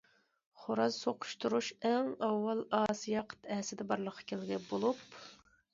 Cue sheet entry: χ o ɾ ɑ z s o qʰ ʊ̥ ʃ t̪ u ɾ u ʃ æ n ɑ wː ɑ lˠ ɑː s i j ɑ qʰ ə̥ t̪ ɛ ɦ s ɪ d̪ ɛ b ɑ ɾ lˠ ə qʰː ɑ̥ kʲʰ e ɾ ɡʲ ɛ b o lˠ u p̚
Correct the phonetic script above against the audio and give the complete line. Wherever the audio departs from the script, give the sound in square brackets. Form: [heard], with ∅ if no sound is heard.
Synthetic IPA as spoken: χ o ɾ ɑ z s o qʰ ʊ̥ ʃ t̪ u ɾ u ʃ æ [ŋ] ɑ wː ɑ lˠ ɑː s i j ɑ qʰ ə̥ t̪ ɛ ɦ s ɪ d̪ ɛ b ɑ ɾ lˠ ə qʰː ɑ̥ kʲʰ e [l] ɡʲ ɛ b o lˠ u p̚